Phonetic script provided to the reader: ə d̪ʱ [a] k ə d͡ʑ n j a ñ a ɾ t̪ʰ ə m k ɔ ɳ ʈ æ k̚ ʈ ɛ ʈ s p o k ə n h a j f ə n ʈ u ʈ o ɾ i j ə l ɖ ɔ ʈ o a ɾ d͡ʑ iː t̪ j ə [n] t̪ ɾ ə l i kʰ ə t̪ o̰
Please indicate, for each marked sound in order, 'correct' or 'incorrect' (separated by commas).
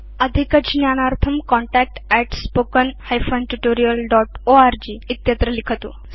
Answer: incorrect, incorrect